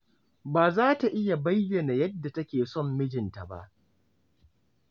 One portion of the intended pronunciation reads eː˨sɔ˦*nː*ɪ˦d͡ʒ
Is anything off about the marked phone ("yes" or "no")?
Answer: yes